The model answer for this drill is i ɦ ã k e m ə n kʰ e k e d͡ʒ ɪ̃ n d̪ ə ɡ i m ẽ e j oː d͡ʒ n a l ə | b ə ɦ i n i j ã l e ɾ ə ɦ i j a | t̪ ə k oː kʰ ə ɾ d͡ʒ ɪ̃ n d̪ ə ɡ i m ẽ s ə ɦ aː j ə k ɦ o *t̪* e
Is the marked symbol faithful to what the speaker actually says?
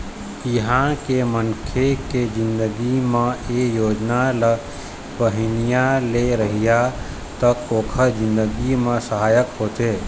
yes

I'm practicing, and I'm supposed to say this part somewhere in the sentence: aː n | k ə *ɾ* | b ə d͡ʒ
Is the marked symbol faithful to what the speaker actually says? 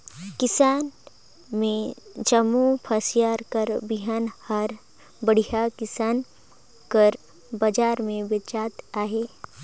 yes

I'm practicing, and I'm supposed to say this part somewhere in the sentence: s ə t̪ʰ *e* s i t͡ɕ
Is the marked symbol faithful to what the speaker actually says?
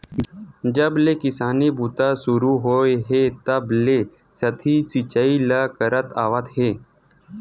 no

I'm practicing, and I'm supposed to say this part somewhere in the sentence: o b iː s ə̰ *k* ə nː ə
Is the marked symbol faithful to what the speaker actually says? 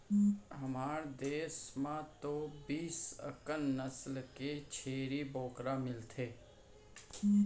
yes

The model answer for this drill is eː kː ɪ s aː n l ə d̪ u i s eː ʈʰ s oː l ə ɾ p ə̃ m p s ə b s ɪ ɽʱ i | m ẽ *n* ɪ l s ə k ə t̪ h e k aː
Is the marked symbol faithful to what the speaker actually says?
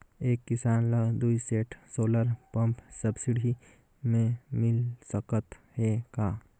no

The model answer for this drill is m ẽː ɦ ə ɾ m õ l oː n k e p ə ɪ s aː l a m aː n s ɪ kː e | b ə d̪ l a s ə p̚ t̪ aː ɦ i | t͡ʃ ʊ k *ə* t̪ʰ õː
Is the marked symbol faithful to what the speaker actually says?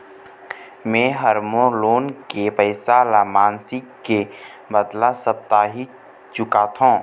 no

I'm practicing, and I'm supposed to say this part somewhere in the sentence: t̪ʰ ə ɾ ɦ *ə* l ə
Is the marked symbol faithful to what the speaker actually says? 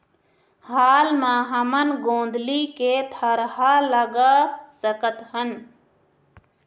no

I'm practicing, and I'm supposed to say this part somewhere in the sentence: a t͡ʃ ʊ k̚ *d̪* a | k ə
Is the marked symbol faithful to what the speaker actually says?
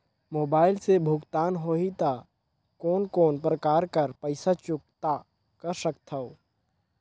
no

